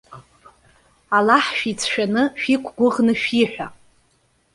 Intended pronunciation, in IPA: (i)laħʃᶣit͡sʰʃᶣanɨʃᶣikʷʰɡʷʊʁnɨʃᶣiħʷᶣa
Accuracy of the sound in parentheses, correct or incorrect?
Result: incorrect